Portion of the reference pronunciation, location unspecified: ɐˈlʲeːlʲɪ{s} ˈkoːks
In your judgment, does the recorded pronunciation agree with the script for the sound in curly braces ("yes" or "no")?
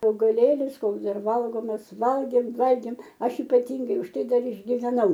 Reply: yes